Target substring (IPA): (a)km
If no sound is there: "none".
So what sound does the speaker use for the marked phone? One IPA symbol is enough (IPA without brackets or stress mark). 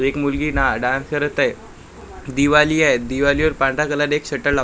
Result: e